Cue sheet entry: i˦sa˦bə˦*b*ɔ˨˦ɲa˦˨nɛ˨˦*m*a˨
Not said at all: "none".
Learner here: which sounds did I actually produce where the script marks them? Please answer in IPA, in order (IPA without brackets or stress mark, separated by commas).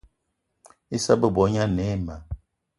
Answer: b, m